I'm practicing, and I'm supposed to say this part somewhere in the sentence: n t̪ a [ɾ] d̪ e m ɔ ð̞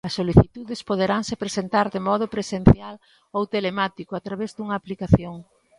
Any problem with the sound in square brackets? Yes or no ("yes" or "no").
no